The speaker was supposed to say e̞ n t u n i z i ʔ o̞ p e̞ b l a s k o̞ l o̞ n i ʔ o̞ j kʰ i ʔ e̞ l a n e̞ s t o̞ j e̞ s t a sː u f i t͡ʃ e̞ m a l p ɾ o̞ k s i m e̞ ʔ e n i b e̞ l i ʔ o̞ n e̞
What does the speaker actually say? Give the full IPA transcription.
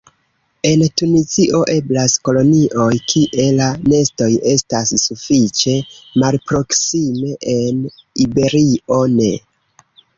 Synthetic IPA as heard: e̞ n t u n i z i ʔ o̞ ʔ e̞ b l a s k o̞ l o̞ n i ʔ o̞ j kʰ i ʔ e̞ l a n e̞ s t o̞ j e̞ s t a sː u f i t͡ʃ e̞ m a l p ɾ o̞ k s i m e̞ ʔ e n i b e̞ ɾ i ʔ o̞ n e̞